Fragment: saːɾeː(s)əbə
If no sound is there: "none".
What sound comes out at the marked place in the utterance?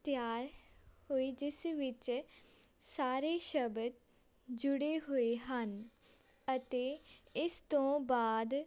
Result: ʃ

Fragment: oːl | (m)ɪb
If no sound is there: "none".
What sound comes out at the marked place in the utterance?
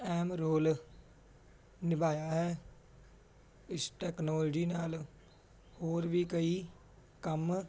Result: n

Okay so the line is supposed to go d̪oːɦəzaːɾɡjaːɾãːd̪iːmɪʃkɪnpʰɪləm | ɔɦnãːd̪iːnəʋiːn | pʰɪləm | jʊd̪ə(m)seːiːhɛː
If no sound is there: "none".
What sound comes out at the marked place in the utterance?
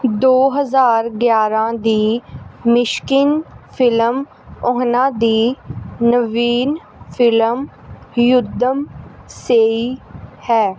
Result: m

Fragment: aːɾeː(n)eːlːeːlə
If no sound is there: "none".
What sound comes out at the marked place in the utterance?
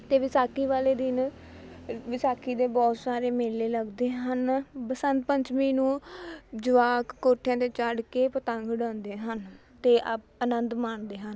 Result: m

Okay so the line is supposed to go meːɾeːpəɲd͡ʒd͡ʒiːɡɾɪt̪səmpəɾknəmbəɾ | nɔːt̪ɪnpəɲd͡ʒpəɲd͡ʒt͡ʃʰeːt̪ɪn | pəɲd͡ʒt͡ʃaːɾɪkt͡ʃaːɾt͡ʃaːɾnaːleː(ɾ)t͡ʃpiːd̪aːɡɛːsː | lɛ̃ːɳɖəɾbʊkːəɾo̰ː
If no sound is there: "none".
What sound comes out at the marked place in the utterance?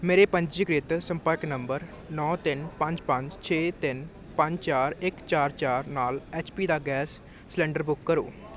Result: none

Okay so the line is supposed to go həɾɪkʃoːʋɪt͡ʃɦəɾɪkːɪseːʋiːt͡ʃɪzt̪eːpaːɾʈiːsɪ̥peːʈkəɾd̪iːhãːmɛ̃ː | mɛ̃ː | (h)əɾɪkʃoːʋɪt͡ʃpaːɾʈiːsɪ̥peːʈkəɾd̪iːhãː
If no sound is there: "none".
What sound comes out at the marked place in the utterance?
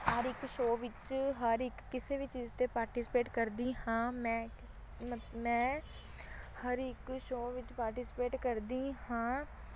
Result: h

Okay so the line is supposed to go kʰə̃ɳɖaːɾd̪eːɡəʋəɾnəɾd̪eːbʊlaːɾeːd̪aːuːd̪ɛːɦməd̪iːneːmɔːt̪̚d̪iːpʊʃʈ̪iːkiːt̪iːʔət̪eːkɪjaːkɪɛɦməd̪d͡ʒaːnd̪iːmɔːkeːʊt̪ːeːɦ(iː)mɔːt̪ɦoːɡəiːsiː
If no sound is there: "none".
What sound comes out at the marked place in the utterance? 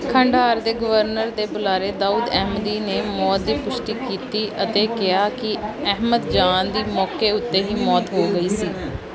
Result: iː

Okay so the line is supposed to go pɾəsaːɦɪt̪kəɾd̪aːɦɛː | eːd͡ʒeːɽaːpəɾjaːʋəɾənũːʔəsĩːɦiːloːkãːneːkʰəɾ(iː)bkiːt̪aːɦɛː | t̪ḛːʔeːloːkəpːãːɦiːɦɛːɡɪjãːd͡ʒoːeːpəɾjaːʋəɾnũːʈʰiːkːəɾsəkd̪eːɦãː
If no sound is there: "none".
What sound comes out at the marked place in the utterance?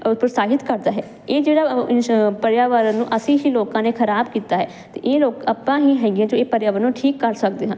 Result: aː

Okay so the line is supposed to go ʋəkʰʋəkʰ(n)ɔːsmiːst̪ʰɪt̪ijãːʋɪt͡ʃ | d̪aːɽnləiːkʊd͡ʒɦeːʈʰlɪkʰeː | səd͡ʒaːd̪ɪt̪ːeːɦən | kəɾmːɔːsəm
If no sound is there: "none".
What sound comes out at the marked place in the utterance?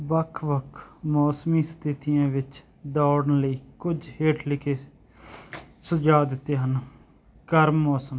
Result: m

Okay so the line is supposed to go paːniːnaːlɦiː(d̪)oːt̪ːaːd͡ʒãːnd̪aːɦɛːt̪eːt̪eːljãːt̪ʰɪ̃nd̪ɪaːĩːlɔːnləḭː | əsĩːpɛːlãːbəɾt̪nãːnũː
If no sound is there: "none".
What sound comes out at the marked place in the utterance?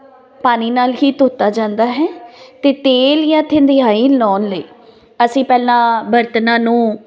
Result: t̪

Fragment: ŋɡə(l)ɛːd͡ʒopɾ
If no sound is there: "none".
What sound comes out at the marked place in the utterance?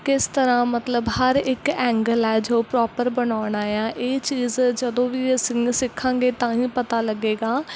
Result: l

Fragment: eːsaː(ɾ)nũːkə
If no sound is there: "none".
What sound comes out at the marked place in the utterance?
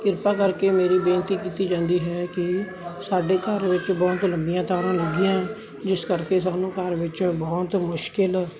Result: none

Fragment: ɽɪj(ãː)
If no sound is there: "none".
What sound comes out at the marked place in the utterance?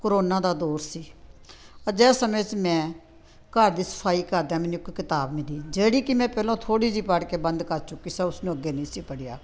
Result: aː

